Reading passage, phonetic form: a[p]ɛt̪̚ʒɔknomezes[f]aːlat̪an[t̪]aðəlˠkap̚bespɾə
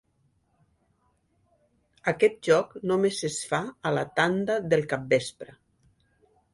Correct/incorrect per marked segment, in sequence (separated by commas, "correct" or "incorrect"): incorrect, correct, incorrect